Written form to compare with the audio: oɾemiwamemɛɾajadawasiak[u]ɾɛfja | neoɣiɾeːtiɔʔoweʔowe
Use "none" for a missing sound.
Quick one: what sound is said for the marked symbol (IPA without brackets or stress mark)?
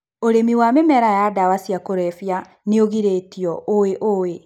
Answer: o